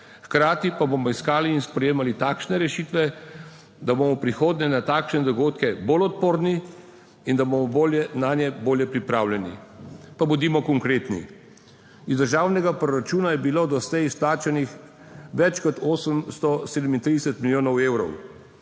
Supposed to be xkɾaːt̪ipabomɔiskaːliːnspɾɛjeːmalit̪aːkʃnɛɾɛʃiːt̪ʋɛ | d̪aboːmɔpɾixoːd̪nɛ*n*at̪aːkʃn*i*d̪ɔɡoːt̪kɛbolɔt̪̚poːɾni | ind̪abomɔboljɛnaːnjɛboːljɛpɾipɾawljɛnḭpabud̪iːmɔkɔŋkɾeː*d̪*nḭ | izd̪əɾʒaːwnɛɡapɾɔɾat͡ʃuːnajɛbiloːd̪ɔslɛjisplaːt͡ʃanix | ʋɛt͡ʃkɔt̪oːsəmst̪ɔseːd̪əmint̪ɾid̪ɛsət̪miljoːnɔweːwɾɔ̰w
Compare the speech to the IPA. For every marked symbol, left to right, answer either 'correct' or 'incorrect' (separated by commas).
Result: correct, incorrect, incorrect